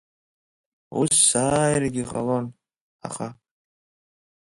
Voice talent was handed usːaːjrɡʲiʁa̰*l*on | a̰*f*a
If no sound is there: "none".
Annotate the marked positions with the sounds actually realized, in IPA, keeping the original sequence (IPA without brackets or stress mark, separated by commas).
l, χ